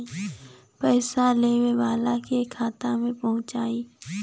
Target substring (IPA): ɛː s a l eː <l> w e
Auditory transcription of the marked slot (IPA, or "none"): none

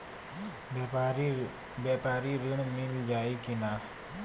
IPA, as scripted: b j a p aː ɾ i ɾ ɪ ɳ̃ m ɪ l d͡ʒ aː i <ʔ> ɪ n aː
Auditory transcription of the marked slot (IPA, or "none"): k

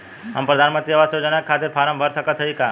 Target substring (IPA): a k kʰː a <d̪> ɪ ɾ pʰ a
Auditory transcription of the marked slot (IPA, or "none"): t̪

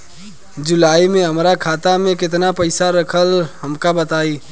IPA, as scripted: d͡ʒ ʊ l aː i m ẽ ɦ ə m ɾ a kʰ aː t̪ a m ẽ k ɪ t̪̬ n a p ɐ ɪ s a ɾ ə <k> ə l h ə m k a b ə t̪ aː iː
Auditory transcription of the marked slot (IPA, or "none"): kʰ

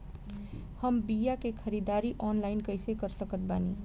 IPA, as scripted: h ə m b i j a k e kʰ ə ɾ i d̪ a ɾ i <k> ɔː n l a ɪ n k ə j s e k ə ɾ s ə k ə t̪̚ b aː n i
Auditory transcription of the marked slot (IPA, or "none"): ʔ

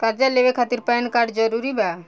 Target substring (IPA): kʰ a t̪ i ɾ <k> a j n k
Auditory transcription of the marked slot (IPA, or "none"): p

